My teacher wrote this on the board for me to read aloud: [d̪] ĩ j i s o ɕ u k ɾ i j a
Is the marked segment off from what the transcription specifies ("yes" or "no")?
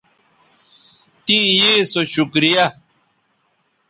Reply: yes